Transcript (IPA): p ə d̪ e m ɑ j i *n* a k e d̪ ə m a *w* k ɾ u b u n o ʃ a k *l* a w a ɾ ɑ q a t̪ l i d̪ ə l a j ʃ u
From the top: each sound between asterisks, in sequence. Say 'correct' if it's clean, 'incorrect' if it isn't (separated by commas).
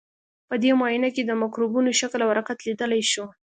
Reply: correct, incorrect, correct